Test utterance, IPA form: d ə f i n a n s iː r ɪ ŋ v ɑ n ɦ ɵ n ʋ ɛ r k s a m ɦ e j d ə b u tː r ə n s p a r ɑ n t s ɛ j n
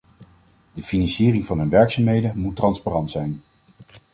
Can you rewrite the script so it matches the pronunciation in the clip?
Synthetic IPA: d ə f i n ɑ n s iː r ɪ ŋ v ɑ n ɦ ɵ n ʋ ɛ ɹ k s a m ɦ e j d ə m u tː r ɑ n s p a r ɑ n t s ɛ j n